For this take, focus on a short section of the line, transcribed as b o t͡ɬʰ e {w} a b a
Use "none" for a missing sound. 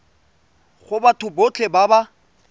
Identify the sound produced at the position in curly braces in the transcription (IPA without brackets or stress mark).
b